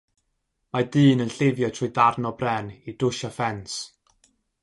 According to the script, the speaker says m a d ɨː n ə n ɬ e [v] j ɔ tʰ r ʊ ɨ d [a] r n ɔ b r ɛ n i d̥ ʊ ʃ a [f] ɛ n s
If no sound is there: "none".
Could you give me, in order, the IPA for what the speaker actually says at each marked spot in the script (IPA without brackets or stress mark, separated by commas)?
v, a, f